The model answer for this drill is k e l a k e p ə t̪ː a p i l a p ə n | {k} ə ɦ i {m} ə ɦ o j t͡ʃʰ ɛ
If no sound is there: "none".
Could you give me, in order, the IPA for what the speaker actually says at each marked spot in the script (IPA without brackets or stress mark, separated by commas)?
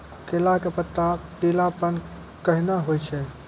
k, n